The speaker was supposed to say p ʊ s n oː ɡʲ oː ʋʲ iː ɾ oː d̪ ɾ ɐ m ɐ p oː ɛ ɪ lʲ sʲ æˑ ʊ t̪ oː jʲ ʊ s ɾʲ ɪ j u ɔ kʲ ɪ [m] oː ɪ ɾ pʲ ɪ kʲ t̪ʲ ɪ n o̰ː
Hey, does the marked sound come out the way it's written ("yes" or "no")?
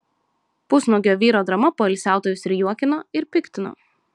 no